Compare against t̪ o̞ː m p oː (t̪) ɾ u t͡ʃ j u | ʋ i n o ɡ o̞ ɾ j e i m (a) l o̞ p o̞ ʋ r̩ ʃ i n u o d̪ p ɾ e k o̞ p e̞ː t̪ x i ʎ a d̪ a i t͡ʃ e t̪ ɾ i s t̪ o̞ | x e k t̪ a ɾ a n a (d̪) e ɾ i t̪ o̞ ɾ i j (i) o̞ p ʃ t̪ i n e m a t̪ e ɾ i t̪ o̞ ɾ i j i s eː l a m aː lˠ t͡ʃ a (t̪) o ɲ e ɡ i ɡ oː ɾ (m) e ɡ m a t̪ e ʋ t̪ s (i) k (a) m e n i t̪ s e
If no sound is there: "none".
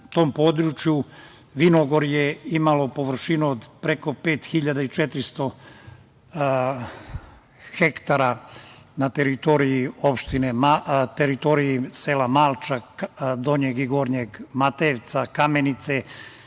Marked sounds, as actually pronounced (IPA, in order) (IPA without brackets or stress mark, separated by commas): d̪, a, t̪, i, d̪, ɲ, a, a